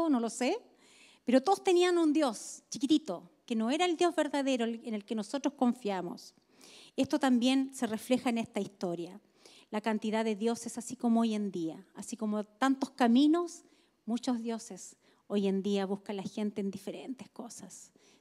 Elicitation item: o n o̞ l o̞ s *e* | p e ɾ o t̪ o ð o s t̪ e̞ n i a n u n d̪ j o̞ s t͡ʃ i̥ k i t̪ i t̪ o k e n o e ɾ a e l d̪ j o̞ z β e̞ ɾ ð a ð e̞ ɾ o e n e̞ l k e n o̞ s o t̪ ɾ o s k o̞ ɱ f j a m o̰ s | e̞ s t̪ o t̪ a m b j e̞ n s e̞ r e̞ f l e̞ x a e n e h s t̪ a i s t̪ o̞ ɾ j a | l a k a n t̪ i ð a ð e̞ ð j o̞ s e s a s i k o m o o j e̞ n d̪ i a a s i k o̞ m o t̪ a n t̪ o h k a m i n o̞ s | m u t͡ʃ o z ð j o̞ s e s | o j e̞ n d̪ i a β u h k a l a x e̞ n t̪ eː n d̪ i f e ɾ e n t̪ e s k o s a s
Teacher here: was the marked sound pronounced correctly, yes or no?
yes